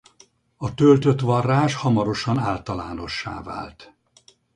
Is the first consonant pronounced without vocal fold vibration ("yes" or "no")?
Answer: yes